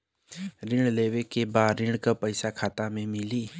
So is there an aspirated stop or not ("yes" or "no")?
yes